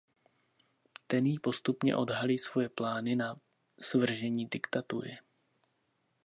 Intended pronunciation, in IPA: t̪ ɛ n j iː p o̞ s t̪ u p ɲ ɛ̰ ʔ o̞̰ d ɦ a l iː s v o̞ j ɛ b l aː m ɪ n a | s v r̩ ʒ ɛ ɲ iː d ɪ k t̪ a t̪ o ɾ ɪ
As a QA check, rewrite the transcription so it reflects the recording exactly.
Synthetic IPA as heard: t̪ ɛ n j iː p o̞ s t̪ u p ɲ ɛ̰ ʔ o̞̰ d ɦ a l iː s v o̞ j ɛ p l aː n ɪ n a | s v r̩ ʒ ɛ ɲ iː d ɪ k t̪ a t̪ u ɾ ɪ